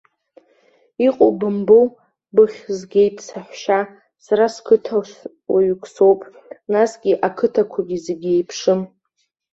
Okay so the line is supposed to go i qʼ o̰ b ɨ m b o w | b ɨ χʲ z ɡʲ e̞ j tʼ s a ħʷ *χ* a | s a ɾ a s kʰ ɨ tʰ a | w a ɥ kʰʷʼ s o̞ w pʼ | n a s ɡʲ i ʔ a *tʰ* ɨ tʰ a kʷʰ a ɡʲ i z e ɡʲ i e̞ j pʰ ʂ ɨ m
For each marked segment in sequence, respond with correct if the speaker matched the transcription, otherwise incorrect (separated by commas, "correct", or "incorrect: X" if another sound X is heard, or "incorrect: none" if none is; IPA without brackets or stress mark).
incorrect: ʃ, incorrect: kʰ